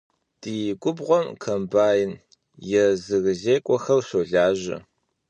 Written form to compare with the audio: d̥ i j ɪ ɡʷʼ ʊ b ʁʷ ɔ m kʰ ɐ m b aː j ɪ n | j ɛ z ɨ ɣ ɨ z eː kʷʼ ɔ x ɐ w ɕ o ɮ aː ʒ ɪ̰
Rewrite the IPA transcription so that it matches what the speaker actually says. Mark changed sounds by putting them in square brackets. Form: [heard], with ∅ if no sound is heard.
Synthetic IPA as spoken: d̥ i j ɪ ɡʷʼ ʊ b ʁʷ ɔ m kʰ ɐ m b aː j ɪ n | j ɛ z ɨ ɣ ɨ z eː kʷʼ ɔ x ɐ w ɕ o ɮ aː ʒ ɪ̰